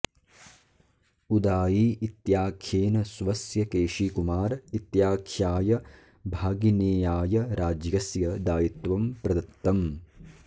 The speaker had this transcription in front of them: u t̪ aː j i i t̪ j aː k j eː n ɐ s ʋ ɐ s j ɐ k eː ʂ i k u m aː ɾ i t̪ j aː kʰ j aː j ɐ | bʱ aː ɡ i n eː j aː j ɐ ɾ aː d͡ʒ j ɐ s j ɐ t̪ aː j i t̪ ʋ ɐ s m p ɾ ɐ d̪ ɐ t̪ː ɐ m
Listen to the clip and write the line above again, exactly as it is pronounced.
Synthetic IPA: u d̪ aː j i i t̪ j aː kʰ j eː n ɐ s ʋ ɐ s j ɐ k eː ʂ i k u m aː ɾ i t̪ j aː kʰ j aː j ɐ | bʱ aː ɡ i n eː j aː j ɐ ɾ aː d͡ʒ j ɐ s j ɐ d̪ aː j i t̪ ʋ ɐ m p ɾ ɐ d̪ ɐ t̪ː ɐ m